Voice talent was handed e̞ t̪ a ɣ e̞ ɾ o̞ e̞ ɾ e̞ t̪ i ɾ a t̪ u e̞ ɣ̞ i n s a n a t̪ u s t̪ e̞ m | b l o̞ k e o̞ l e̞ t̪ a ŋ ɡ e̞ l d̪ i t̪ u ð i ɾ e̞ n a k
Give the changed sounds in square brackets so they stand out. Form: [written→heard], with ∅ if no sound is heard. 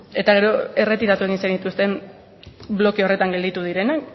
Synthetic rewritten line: e̞ t̪ a ɣ e̞ ɾ o̞ e̞ [ɾ→r] e̞ t̪ i ɾ a t̪ u e̞ ɣ̞ i n s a n [a→i] t̪ u s t̪ e̞ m | b l o̞ k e o̞ [l→r] e̞ t̪ a ŋ ɡ e̞ l d̪ i t̪ u ð i ɾ e̞ n a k